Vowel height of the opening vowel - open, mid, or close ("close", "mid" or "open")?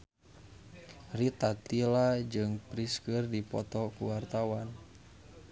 close